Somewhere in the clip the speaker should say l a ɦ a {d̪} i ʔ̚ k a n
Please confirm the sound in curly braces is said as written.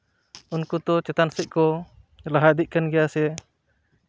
yes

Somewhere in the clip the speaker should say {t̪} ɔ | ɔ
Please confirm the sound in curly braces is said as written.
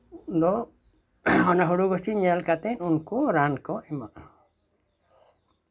no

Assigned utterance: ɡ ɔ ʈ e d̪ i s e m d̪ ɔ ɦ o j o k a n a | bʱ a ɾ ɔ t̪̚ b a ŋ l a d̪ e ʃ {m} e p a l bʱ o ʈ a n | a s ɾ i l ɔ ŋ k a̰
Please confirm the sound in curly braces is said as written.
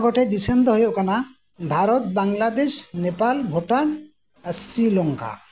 no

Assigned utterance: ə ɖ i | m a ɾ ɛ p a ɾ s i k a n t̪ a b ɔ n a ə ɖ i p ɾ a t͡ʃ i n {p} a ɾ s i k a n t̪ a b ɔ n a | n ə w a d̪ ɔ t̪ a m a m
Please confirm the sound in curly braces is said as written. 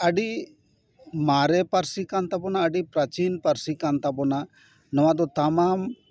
yes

